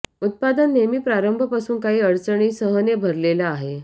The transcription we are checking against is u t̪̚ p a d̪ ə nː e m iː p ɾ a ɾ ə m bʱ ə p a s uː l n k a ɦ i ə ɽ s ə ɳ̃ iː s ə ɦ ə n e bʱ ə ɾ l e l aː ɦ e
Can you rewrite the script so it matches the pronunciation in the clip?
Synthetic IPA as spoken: u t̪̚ p a d̪ ə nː e m iː p ɾ a ɾ ə m bʱ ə p a s uː n k a ɦ iː ə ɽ t͡s ə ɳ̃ iː s ə ɦ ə n e bʱ ə ɾ l e l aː ɦ e